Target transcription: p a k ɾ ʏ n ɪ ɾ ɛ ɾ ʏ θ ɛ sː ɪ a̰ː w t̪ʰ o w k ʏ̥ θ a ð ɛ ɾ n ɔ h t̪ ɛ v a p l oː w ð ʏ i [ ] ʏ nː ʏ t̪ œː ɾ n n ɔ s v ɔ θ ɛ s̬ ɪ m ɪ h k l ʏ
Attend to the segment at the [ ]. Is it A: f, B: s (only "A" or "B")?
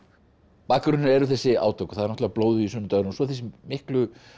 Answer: B